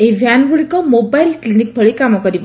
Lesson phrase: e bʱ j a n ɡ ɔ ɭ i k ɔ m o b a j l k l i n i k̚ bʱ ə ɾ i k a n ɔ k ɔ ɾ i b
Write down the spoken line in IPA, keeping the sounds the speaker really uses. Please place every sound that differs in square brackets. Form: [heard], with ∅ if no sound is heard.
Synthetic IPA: e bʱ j a n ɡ [u] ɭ i k ɔ m o b a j l k l i n i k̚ bʱ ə [ɭ] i k a [m] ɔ k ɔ ɾ i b